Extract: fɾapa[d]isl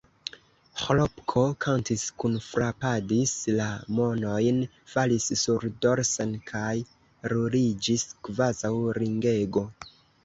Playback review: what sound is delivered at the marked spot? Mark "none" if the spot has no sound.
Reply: d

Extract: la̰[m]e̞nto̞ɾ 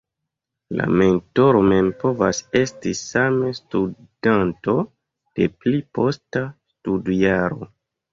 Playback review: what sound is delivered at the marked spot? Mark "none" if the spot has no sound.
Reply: m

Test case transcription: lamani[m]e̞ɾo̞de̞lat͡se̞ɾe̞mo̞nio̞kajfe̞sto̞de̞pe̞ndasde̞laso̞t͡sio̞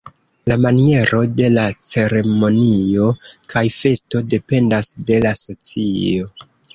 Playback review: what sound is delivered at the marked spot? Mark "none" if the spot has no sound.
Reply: none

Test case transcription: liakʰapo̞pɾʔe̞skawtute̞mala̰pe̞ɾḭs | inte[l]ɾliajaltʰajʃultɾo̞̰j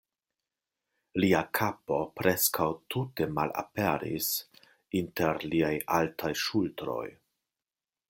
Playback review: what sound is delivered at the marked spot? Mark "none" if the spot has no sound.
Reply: none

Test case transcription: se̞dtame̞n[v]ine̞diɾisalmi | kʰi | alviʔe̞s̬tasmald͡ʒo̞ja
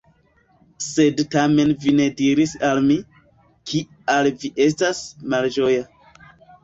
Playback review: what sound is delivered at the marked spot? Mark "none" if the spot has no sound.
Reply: v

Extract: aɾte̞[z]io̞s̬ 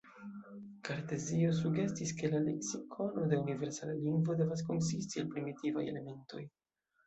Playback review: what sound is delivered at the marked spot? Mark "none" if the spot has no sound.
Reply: z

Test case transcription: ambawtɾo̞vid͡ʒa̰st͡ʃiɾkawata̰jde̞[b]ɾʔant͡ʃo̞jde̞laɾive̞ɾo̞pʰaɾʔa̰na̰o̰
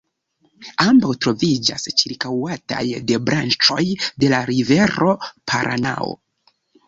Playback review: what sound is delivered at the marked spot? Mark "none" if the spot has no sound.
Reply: b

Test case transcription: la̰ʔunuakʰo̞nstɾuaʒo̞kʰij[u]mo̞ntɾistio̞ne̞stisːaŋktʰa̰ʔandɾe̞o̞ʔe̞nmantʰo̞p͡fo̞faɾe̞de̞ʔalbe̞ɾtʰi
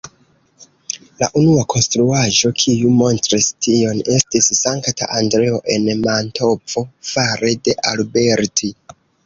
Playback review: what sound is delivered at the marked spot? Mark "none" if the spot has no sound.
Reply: u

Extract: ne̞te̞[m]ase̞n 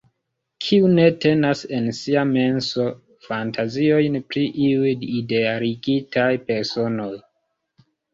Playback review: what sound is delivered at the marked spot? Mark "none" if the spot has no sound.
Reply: n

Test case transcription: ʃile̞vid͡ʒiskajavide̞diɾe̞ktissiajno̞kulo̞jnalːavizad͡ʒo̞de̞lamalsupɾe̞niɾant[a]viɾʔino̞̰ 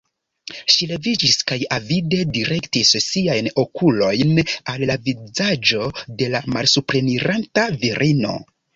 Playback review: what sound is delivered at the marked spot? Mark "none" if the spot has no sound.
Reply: a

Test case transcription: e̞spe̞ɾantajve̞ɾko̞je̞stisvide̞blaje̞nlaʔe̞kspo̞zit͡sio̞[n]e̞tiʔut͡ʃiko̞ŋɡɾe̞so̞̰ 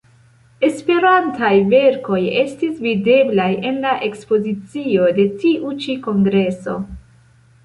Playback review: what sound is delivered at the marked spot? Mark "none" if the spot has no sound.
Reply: d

